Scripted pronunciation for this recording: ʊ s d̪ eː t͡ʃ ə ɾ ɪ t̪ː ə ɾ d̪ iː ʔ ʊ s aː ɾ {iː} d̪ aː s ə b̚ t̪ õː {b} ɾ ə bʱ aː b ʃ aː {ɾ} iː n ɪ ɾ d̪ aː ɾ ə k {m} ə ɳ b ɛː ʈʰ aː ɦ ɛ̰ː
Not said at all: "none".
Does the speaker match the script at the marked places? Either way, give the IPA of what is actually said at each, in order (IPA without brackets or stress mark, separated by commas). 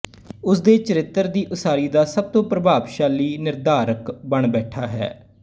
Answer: iː, p, l, b